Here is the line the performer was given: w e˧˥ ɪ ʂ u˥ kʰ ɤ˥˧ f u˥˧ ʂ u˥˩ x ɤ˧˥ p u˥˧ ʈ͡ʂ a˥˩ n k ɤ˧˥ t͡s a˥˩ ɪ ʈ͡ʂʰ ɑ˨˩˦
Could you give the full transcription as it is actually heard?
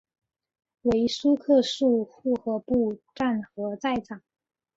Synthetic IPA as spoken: w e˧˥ ɪ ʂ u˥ kʰ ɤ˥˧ ʂ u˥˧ x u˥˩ x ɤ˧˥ p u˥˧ ʈ͡ʂ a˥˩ n x ɤ˧˥ t͡s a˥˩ ɪ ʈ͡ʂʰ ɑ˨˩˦

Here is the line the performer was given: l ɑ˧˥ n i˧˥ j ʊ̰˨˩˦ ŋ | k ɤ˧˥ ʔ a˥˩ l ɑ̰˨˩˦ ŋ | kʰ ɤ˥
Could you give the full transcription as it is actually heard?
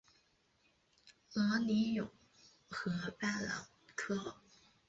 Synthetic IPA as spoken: l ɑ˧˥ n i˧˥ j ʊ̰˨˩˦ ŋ | x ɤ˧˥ p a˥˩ l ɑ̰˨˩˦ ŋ | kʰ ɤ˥

